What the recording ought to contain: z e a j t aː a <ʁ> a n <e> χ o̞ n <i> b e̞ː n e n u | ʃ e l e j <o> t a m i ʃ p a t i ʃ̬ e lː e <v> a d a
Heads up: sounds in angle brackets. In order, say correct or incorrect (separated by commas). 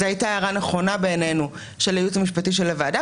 correct, correct, incorrect, incorrect, correct